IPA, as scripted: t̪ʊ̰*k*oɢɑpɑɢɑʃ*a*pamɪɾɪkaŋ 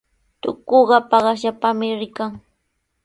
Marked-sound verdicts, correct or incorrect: correct, correct

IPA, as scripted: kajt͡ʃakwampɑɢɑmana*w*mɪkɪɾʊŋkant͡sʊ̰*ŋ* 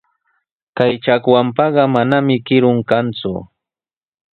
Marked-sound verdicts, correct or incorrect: incorrect: none, incorrect: none

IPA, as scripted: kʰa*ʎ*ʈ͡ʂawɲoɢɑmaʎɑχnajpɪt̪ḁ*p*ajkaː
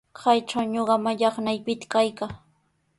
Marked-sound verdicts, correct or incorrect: incorrect: j, incorrect: k

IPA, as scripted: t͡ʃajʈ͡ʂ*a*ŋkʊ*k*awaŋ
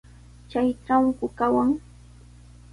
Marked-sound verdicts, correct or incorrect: correct, correct

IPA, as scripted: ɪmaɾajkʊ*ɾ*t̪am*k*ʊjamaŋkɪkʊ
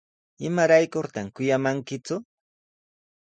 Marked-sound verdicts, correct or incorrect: correct, correct

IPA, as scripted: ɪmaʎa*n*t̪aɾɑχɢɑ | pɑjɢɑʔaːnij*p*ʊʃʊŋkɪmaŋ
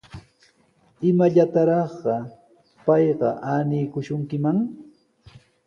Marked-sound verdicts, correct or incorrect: incorrect: none, incorrect: k

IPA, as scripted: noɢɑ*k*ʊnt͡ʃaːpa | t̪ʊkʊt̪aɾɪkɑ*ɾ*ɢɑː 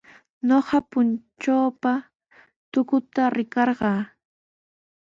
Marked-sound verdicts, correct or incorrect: incorrect: p, correct

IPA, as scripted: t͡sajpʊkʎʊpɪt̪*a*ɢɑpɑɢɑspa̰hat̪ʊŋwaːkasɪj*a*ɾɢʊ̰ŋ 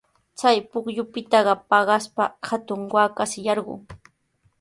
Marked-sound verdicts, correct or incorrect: incorrect: ɑ, incorrect: ɑ

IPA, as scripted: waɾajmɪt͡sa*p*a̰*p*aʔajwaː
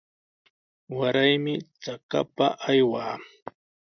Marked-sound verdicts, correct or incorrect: incorrect: k, correct

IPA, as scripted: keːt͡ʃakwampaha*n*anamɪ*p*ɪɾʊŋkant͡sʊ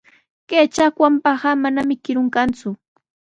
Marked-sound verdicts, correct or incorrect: incorrect: m, incorrect: k

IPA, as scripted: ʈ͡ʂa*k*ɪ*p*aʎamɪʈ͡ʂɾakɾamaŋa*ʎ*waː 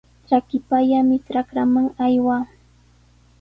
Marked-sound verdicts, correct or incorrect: correct, correct, incorrect: j

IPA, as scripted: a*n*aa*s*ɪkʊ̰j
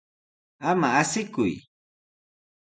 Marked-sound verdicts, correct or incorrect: incorrect: m, correct

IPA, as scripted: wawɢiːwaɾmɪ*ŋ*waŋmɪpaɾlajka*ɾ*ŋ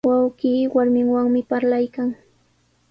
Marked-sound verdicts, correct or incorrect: correct, incorrect: none

